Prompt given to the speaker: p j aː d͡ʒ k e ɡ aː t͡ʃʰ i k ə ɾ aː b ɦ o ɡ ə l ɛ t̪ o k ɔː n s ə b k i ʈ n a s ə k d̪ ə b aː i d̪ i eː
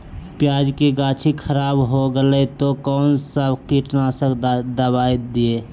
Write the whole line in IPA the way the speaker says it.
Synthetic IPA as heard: p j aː d͡ʒ k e ɡ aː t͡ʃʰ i kʰ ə ɾ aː b ɦ o ɡ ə l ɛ t̪ o k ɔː n s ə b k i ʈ n a s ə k d̪ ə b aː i d̪ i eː